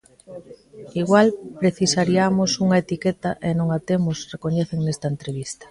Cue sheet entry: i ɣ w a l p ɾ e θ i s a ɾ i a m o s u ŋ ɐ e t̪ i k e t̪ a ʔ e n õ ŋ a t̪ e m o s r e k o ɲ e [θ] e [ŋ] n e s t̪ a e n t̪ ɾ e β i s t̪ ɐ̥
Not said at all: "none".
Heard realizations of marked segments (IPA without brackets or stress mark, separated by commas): θ, ŋ